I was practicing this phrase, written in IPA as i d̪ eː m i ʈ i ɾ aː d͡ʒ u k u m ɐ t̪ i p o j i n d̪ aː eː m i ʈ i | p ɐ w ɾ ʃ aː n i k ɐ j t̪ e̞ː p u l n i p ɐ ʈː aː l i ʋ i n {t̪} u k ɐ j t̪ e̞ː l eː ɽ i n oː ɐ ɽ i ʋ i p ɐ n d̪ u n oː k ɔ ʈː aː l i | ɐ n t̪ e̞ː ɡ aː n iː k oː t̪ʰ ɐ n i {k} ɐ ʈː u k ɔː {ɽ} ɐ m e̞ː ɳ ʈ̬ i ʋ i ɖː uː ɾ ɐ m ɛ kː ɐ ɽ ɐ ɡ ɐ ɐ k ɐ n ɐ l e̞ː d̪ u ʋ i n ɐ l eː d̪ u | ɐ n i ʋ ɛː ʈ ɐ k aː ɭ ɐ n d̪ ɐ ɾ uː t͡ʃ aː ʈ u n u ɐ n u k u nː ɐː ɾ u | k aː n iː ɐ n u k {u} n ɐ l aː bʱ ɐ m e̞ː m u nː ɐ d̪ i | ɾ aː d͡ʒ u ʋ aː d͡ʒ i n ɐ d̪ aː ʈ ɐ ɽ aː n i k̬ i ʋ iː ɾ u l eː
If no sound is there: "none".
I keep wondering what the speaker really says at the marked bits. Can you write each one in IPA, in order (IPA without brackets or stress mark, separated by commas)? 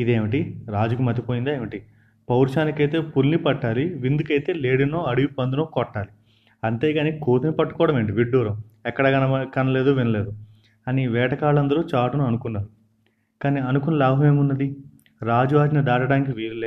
d̪, p, ɽ, u